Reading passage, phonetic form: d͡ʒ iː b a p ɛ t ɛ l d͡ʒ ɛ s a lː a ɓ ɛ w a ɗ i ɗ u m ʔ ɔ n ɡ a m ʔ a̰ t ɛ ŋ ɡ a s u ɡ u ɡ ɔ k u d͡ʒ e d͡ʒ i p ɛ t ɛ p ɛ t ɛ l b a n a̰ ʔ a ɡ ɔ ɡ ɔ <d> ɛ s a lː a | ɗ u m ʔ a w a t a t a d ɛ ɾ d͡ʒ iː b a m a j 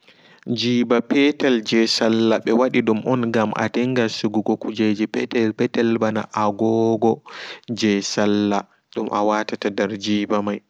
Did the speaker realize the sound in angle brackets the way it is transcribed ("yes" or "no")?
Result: no